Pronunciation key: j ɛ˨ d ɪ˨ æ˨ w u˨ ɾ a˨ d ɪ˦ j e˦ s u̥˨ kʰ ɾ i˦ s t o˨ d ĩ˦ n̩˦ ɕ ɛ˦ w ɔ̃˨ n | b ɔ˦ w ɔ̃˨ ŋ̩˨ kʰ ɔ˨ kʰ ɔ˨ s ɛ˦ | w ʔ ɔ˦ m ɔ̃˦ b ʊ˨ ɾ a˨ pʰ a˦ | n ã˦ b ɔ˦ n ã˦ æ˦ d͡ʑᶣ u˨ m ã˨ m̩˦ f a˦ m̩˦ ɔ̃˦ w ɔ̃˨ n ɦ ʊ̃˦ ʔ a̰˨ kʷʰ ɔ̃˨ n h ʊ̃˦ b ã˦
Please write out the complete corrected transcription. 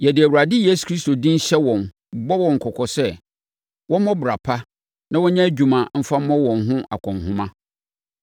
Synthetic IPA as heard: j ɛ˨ d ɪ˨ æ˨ w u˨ ɾ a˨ d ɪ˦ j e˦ s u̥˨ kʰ ɾ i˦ s t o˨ d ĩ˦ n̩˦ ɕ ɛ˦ w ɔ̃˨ n | b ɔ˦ w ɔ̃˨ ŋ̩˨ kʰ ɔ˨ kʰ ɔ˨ s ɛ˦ | w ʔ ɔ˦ m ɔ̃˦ b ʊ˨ ɾ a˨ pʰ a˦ | n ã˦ w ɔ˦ ɲ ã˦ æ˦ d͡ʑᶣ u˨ m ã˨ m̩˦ f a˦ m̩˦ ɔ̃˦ w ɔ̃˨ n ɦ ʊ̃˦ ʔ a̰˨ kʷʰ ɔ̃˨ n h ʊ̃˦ m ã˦